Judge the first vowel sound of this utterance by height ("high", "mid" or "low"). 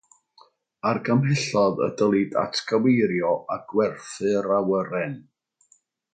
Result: low